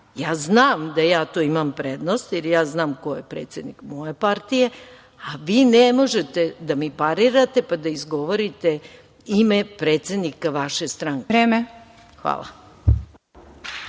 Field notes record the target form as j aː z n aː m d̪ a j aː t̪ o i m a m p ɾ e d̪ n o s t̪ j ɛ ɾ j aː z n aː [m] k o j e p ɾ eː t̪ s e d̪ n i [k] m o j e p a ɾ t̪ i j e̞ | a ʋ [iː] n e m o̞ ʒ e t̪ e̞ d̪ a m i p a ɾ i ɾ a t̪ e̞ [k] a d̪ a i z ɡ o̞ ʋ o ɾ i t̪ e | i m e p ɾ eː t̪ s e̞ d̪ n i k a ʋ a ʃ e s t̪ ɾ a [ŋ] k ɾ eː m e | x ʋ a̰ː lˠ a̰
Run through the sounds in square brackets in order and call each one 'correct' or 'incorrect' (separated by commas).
correct, correct, correct, incorrect, correct